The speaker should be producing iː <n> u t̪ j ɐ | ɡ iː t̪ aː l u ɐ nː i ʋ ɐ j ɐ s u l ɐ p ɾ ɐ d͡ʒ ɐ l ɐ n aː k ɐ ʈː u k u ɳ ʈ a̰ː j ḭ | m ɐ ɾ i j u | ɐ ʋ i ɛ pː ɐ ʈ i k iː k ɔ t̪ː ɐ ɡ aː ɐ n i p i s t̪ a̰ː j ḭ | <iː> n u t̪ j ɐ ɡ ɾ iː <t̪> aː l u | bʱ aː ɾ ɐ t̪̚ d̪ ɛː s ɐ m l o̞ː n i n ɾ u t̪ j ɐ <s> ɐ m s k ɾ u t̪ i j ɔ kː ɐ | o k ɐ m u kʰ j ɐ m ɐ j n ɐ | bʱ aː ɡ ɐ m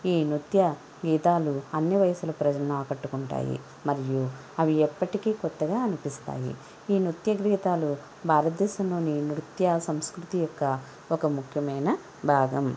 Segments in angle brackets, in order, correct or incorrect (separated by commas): correct, correct, correct, correct